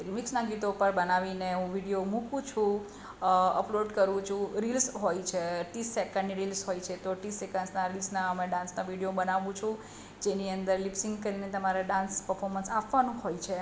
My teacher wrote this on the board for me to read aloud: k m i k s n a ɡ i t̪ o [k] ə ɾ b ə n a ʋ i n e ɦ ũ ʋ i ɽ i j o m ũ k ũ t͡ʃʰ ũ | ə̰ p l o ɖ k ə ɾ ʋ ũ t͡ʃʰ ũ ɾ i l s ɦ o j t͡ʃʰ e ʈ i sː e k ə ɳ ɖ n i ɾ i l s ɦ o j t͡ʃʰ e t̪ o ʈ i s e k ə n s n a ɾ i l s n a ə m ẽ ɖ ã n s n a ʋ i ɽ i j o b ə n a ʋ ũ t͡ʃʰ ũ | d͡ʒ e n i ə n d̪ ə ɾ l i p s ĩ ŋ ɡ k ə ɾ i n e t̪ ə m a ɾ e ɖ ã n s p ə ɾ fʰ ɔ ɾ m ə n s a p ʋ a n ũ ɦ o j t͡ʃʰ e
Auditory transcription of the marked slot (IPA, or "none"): p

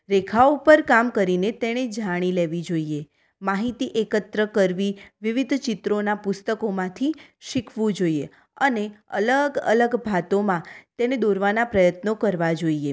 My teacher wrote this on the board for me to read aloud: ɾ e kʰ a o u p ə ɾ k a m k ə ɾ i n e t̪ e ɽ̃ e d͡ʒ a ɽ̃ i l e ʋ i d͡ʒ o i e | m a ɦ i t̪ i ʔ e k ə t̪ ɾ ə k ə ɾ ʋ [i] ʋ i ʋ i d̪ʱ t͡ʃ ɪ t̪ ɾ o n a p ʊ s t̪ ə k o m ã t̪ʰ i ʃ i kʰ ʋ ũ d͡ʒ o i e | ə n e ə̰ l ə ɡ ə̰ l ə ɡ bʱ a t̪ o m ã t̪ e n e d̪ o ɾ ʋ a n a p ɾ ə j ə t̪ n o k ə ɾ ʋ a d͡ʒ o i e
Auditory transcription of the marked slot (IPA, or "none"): i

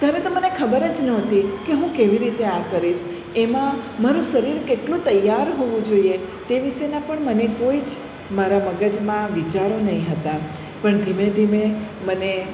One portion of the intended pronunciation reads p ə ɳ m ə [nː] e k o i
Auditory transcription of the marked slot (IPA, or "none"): n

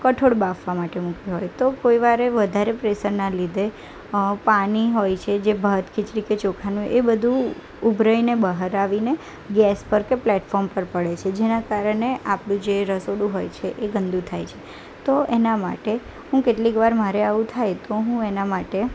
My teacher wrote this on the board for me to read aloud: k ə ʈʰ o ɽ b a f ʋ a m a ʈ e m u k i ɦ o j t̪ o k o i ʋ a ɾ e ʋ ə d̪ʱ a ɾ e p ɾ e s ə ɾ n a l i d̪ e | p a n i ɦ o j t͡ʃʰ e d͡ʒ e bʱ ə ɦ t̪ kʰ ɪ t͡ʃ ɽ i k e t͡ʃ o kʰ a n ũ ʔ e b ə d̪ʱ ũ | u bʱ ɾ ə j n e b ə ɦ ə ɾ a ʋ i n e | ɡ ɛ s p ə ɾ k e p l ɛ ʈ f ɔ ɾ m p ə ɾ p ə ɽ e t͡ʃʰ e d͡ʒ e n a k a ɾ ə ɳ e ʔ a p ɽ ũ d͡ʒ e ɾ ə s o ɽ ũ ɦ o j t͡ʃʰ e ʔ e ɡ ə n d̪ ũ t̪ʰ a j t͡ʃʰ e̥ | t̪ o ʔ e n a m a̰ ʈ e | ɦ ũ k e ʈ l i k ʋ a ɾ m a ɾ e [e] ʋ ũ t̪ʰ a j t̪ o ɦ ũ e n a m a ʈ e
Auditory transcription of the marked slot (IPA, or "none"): a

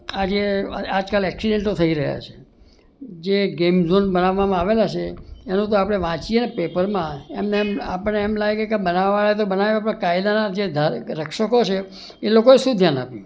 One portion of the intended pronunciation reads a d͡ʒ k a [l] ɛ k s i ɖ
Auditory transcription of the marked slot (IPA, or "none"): l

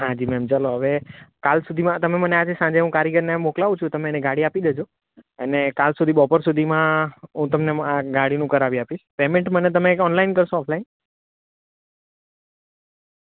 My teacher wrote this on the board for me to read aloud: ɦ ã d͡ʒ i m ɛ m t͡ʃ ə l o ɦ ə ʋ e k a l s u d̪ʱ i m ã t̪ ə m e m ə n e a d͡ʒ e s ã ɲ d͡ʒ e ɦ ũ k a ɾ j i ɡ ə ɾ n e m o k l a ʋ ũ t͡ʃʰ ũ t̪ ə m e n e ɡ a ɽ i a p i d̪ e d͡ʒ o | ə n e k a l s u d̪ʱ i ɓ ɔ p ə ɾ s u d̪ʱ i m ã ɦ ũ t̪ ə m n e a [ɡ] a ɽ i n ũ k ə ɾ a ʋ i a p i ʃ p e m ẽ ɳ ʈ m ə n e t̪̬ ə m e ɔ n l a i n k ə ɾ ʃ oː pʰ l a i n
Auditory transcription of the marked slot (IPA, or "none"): ɡ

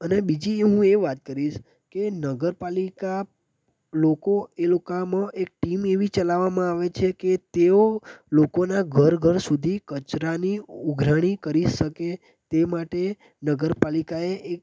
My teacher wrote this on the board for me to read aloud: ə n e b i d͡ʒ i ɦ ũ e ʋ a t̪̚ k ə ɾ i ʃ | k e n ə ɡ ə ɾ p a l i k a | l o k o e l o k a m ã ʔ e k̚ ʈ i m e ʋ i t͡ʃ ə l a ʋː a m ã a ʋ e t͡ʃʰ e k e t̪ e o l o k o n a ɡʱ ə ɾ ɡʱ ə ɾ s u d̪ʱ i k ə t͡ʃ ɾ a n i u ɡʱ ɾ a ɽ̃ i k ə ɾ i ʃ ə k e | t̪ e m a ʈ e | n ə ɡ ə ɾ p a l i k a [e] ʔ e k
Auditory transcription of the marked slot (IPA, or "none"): e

